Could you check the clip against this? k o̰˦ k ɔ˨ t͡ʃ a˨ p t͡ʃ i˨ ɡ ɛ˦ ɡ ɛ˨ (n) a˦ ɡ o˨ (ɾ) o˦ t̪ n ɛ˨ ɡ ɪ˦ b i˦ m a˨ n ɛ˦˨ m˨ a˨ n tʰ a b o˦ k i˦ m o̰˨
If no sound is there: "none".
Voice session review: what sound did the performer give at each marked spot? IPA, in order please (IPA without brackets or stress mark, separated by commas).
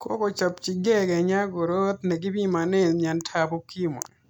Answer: ɲ, ɾ